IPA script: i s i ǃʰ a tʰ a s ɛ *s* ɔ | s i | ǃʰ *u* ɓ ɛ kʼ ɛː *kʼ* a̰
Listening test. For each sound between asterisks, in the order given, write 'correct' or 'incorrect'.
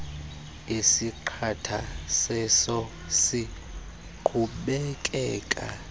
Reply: correct, correct, correct

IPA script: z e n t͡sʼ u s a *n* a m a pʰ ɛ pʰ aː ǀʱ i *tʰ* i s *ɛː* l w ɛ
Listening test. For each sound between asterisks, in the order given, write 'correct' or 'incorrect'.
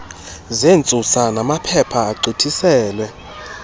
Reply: correct, correct, correct

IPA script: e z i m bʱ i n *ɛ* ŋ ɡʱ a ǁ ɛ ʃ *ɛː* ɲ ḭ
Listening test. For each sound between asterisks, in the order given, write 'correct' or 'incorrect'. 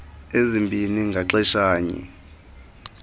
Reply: incorrect: i, incorrect: aː

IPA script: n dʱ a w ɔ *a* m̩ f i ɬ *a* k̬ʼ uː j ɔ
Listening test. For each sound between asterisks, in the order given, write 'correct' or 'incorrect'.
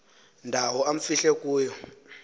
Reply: correct, incorrect: ɛ

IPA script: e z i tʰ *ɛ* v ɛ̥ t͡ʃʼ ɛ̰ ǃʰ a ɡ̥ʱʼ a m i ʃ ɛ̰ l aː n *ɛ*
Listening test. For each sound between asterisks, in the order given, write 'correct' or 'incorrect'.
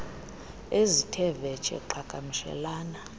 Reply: correct, incorrect: a

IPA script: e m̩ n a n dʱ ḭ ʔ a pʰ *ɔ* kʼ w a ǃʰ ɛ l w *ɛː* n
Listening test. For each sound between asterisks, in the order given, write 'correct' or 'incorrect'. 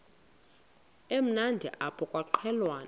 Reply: correct, incorrect: aː

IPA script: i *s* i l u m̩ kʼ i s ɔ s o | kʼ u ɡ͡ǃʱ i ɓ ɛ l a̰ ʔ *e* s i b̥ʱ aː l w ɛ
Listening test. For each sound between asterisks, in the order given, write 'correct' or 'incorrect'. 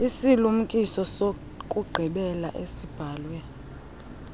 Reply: correct, correct

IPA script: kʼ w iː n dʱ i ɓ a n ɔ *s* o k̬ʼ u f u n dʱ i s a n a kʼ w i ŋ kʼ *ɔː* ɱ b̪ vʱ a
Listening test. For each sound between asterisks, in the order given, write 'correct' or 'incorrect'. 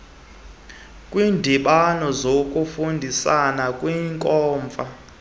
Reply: incorrect: z, correct

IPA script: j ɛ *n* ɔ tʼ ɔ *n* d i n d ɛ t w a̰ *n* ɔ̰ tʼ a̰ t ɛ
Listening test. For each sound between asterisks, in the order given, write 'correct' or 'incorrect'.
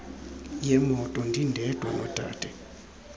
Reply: incorrect: m, correct, correct

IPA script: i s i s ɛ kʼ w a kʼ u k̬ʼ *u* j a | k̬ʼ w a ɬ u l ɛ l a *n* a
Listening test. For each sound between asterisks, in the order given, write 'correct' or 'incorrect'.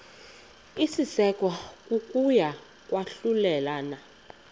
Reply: correct, correct

